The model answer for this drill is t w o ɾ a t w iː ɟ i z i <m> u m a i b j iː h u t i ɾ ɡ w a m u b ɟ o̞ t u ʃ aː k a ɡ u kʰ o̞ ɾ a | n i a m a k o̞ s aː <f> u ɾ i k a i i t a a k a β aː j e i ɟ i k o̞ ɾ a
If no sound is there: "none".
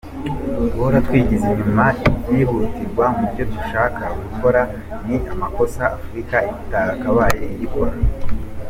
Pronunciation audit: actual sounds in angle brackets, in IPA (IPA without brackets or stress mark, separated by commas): ɲ, f